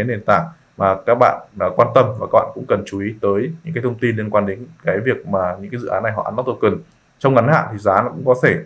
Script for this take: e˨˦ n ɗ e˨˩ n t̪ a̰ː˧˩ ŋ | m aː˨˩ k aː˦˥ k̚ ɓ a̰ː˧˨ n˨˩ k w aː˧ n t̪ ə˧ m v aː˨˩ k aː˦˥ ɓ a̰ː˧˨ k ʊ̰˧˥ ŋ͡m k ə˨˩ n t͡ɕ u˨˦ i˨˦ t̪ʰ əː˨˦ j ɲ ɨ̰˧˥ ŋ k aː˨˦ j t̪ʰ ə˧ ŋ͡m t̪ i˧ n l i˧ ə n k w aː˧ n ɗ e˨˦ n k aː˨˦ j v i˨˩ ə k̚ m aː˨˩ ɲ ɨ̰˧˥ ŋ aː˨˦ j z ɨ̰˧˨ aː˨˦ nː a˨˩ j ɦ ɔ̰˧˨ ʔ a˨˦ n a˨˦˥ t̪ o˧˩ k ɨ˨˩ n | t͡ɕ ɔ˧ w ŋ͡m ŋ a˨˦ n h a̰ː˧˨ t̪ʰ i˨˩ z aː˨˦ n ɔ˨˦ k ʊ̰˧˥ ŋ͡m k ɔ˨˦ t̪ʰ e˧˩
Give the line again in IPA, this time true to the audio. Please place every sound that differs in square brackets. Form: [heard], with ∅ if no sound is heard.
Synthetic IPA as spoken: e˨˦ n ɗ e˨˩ n t̪ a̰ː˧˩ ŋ | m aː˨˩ k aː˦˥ k̚ ɓ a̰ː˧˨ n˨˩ k w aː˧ n t̪ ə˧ m v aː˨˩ k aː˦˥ ɓ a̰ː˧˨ k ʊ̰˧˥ ŋ͡m k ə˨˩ n t͡ɕ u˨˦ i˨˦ [t̪] əː˨˦ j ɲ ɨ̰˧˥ ŋ k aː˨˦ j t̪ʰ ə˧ ŋ͡m t̪ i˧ n l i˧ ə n k w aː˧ n ɗ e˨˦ n k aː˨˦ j v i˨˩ ə k̚ m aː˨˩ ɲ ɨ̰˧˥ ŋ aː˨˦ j z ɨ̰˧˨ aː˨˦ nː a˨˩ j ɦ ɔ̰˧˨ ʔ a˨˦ n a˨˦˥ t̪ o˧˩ k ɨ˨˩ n | t͡ɕ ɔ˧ w ŋ͡m ŋ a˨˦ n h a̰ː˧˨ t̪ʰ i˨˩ z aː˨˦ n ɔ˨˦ k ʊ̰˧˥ ŋ͡m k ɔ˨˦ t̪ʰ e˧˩